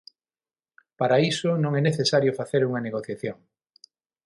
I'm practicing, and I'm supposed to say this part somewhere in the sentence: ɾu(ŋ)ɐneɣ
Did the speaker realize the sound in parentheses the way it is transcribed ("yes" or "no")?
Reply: yes